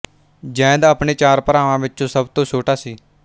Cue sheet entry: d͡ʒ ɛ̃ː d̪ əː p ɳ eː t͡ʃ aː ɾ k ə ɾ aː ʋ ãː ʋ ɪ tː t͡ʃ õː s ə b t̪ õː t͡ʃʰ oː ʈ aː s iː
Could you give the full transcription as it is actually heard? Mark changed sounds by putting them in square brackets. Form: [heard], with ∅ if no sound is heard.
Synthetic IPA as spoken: d͡ʒ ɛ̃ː d̪ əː p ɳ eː t͡ʃ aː ɾ [p] ə ɾ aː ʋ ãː ʋ ɪ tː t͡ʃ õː s ə b t̪ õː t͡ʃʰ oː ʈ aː s iː